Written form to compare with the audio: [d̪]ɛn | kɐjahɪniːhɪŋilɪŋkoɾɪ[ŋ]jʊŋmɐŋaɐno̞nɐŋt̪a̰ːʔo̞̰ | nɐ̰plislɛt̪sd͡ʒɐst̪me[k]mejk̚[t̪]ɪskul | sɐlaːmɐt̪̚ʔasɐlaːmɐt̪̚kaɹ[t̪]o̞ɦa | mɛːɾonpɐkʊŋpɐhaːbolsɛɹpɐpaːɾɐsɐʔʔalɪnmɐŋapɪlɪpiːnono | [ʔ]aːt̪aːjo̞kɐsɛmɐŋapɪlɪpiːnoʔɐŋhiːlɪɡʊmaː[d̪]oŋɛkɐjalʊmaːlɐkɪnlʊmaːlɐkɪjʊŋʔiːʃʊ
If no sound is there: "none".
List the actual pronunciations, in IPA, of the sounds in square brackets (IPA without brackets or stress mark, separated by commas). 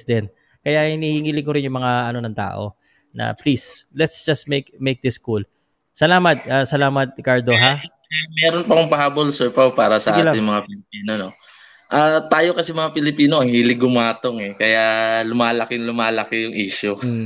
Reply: d̪, n, k, d̪, d̪, ʔ, t̪